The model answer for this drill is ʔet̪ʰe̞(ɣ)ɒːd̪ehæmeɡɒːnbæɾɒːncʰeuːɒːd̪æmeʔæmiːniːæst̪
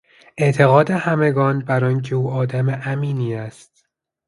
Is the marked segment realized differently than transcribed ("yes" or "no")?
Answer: no